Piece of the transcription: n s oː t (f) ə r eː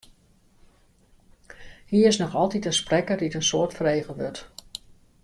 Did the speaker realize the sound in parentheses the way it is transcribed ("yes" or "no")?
yes